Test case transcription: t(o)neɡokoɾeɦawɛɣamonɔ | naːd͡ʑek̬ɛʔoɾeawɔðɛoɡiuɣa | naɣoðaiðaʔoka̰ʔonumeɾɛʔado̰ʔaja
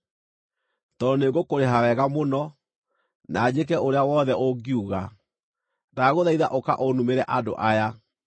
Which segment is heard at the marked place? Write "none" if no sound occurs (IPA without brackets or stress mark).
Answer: ɔ